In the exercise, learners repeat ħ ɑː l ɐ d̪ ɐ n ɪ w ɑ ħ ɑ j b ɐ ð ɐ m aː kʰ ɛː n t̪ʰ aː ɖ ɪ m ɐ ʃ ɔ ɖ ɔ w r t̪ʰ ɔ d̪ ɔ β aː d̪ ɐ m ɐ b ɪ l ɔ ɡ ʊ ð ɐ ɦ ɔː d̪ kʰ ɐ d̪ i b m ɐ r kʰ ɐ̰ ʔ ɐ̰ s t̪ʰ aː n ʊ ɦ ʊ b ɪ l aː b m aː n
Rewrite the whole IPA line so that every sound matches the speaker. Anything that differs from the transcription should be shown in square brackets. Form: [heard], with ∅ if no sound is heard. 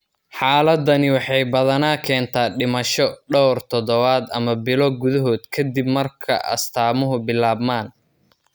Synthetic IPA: ħ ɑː l ɐ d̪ ɐ n ɪ w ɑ ħ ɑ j b ɐ ð ɐ [n] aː kʰ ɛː n t̪ʰ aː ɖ ɪ m ɐ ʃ ɔ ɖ ɔ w r t̪ʰ ɔ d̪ ɔ β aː d̪ ɐ m ɐ b ɪ l ɔ ɡ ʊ ð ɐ ɦ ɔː d̪ kʰ ɐ d̪ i b m ɐ r kʰ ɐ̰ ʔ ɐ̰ s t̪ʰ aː [m] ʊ ɦ ʊ b ɪ l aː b m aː n

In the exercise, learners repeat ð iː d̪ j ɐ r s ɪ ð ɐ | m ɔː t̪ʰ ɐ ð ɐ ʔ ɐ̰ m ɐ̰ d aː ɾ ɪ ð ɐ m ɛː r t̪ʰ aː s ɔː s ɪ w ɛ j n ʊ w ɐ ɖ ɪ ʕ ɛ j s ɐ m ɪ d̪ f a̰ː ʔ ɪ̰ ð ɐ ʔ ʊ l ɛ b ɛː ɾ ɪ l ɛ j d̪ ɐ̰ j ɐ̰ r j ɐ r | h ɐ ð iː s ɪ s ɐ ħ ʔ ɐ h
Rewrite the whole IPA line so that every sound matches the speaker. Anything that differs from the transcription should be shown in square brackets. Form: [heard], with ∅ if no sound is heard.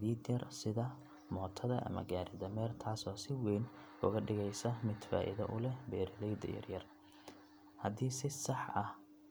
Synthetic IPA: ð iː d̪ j ɐ r s ɪ ð ɐ | m ɔː t̪ʰ ɐ ð ɐ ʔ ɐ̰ m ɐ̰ [ɡ] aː ɾ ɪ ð ɐ m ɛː r t̪ʰ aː s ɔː s ɪ w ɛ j n ʊ [ɣ] ɐ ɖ ɪ [ɣ] ɛ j s ɐ m ɪ d̪ f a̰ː ʔ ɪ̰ ð ɐ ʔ ʊ l ɛ b ɛː ɾ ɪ l ɛ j d̪ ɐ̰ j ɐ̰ r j ɐ r | h ɐ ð iː s ɪ s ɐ ħ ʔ ɐ h

